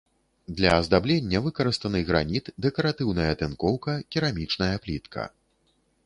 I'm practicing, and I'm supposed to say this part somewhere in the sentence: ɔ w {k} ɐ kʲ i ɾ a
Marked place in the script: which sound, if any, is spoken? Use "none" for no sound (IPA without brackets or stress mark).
k